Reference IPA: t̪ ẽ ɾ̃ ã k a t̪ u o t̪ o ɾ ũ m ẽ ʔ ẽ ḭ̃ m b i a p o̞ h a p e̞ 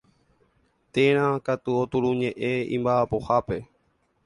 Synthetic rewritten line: t̪ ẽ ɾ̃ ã k a t̪ u o t̪ u ɾ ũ ɲ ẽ ʔ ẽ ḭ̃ m b a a p o̞ h a p e̞